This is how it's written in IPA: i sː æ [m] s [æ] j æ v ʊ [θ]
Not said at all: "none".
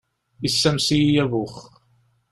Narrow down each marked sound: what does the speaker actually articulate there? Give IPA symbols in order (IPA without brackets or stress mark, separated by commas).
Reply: m, i, χ